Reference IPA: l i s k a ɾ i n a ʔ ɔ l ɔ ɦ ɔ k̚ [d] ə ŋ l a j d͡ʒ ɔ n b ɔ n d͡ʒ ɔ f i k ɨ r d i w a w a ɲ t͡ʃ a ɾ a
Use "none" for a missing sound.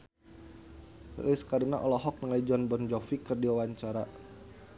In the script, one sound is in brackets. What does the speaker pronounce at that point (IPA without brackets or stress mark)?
n